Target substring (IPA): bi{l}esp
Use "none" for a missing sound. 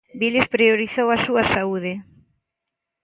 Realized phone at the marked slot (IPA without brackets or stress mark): l